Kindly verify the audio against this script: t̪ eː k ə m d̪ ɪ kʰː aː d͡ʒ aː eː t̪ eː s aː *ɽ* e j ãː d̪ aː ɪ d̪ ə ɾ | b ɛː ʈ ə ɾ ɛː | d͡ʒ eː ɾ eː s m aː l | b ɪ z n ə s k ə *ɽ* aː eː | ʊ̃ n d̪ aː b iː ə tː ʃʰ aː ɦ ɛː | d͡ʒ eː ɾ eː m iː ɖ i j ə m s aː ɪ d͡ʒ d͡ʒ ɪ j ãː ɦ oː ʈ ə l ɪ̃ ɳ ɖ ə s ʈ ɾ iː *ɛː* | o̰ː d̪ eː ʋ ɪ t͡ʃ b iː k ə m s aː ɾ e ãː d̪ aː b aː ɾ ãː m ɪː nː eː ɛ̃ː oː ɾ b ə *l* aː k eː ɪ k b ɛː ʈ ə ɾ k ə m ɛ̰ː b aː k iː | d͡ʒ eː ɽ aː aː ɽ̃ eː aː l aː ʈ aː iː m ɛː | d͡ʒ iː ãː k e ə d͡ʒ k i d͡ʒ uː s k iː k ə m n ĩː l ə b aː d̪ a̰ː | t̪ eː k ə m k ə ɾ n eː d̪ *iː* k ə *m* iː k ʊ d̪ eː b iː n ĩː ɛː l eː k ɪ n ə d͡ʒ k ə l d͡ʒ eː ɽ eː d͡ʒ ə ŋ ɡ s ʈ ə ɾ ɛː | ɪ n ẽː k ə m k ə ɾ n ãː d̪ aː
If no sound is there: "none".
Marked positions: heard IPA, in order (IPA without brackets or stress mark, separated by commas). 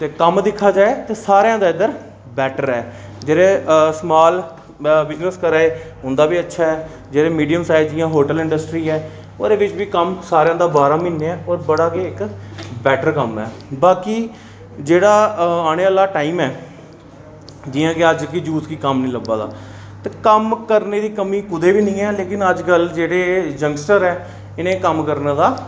ɾ, ɾ, ɛː, ɽ, iː, m